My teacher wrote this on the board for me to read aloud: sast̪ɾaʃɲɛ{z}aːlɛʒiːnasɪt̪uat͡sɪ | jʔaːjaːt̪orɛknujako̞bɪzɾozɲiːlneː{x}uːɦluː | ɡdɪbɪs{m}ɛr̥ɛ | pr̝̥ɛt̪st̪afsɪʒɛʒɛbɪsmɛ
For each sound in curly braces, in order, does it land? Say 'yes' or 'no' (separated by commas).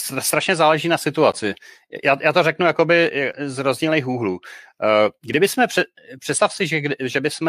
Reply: yes, yes, yes